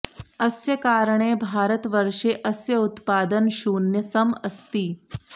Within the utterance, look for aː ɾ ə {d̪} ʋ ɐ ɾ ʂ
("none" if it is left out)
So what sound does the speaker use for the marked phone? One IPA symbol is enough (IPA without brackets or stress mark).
t̪